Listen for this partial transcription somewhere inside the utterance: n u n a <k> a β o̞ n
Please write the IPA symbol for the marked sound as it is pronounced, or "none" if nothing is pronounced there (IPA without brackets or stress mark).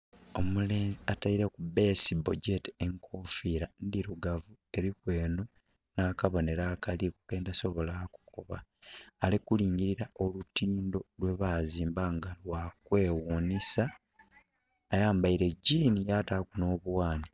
k